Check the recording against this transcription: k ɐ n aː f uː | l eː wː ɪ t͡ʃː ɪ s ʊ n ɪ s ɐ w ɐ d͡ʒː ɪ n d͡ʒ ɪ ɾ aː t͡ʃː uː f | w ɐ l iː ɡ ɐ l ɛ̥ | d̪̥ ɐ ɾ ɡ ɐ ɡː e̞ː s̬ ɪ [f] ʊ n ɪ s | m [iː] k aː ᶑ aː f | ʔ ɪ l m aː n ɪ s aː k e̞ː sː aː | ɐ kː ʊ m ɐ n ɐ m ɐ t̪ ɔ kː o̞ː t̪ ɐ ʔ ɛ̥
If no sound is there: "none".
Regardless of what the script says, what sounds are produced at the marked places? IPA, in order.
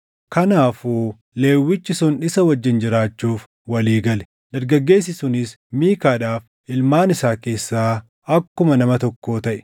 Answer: s, iː

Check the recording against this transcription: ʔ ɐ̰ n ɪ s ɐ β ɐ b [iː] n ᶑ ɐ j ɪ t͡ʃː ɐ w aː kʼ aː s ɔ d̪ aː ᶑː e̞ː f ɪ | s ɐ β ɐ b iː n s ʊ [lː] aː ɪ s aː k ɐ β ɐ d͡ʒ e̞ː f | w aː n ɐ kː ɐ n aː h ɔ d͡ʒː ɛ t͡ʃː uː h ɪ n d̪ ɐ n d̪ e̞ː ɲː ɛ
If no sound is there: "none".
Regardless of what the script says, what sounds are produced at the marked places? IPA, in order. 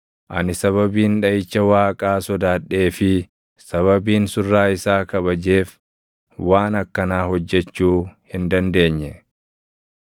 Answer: iː, rː

